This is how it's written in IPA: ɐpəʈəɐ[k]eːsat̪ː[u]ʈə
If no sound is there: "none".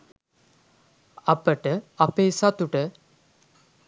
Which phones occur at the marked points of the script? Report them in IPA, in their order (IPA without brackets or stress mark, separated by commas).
p, u